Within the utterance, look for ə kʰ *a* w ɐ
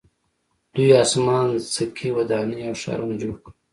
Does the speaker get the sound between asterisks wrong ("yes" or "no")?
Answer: yes